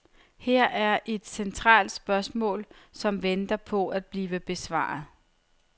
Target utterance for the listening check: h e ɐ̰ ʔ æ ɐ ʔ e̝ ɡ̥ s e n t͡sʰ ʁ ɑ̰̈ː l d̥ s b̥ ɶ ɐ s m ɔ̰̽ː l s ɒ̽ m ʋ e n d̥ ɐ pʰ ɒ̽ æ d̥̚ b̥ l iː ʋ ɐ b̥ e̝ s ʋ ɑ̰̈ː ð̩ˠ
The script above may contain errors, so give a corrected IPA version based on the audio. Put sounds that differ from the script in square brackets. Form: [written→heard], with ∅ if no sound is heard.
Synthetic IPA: h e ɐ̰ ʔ æ ɐ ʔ e̝ [ɡ̥→d̥] s e n t͡sʰ ʁ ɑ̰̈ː l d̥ s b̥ ɶ ɐ s m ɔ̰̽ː l s ɒ̽ m ʋ e n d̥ ɐ pʰ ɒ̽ æ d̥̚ b̥ l iː ʋ [ɐ→ə] b̥ e̝ s ʋ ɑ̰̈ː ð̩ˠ

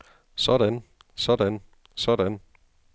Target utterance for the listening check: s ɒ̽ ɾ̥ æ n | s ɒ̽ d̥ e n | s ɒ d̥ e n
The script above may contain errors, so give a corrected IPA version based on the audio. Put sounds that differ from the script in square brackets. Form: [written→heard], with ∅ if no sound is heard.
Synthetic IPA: s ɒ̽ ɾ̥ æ n | s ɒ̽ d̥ [e→æ] n | s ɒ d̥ [e→æ] n

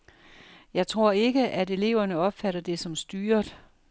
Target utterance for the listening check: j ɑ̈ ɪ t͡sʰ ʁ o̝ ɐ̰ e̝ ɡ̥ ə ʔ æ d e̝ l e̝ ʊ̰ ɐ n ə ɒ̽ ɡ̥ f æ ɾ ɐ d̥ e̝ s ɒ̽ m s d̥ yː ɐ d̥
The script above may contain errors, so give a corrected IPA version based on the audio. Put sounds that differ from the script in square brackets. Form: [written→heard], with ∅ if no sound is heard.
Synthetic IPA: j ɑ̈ ɪ t͡sʰ ʁ o̝ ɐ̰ e̝ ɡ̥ ə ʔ æ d e̝ l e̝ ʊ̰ ɐ n ə ɒ̽ [ɡ̥→b̥] f æ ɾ ɐ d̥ e̝ s ɒ̽ m s d̥ yː ɐ d̥

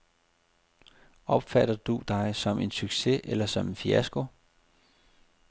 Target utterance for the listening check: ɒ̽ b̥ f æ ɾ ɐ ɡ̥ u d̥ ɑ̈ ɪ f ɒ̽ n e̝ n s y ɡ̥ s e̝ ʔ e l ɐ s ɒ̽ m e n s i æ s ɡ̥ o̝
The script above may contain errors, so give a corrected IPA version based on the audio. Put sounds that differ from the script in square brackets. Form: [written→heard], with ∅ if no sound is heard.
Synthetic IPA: ɒ̽ b̥ f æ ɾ ɐ [ɡ̥→d̥] u d̥ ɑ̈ ɪ [f→s] ɒ̽ [n→m] e̝ n s y ɡ̥ s e̝ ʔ e l ɐ s ɒ̽ m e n [s→f] i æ s ɡ̥ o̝

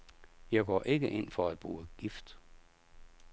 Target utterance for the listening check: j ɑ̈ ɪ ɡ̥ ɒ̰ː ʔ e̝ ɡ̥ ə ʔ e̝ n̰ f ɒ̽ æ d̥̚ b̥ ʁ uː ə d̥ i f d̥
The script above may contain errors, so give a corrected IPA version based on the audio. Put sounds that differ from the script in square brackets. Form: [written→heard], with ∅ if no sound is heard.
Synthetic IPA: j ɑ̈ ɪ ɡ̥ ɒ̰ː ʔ e̝ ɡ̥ ə ʔ e̝ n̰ f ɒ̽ æ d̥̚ b̥ ʁ uː ə [d̥→ɡ̥] i f d̥

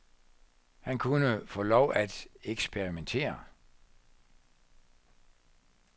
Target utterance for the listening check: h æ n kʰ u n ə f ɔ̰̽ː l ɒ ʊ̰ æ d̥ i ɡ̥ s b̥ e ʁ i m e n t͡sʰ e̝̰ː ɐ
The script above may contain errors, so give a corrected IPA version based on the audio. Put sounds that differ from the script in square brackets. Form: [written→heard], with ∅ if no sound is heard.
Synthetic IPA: h æ n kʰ u n ə f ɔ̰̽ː l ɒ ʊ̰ æ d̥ [i→e] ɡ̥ s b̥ e ʁ i m e n t͡sʰ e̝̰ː ɐ

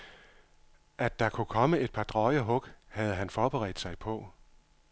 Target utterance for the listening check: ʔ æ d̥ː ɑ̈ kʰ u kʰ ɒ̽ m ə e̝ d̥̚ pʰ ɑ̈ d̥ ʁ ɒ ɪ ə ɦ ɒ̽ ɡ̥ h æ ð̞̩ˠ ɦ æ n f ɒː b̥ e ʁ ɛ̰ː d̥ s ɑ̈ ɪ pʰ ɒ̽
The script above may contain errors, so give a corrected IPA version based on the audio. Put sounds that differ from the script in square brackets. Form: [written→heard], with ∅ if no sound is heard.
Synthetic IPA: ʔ æ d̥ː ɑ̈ kʰ u kʰ ɒ̽ m ə e̝ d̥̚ pʰ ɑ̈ d̥ ʁ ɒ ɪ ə ɦ [ɒ̽→ɔ̽] ɡ̥ h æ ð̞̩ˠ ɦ æ n f ɒː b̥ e ʁ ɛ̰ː d̥ s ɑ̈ ɪ pʰ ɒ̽

